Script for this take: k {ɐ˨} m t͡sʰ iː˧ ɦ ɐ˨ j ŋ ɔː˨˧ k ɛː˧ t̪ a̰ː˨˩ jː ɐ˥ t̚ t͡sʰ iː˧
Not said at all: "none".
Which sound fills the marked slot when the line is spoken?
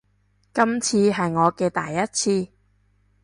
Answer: ɐ˥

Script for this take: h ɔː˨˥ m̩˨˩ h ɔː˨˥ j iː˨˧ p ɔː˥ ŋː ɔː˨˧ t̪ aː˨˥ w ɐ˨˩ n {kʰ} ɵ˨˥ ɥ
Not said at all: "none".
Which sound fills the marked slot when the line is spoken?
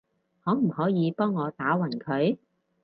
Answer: kʰ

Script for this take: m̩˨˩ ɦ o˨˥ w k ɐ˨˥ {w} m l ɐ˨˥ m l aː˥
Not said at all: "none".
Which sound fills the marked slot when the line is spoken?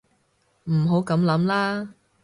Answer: none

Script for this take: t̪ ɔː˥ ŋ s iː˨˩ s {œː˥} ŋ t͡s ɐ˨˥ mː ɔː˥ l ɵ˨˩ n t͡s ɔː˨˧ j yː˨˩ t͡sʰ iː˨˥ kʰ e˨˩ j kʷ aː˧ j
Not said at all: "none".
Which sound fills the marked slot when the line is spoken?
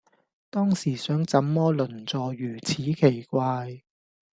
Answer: œː˨˥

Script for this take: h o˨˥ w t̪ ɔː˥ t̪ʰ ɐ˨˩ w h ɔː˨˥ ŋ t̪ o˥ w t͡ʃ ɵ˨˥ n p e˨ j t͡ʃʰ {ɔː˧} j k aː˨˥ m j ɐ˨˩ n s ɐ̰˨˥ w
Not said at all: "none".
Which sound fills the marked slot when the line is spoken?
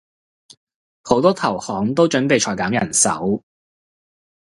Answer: ɔː˨˩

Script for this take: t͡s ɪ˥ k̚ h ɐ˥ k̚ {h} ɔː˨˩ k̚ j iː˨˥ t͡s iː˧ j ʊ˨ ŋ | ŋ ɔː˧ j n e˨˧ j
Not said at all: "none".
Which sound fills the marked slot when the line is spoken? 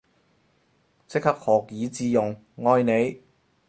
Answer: h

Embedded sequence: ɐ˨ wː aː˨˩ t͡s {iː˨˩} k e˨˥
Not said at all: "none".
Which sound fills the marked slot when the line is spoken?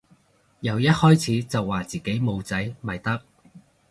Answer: iː˨˩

